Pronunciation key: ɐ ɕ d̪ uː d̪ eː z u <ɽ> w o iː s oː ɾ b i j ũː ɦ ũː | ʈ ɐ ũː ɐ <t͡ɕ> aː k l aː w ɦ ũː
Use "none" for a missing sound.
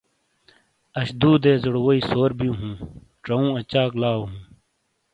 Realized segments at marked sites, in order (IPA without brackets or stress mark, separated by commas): ɽ, t͡ɕ